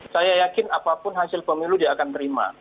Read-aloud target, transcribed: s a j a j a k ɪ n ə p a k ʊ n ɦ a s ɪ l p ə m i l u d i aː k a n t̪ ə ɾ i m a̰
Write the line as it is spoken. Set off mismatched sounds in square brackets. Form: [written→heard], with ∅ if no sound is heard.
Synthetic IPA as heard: s a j a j a k ɪ n [ə→a] p a [k→p] ʊ n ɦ a s ɪ l p ə m i l u d i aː k a n t̪ ə ɾ i m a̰